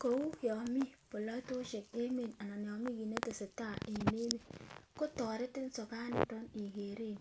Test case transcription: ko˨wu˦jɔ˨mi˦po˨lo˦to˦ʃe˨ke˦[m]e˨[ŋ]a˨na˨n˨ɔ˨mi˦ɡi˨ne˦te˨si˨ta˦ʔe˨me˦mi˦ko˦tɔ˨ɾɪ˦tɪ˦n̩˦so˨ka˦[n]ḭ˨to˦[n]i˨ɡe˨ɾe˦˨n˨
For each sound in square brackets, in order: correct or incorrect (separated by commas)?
correct, incorrect, correct, correct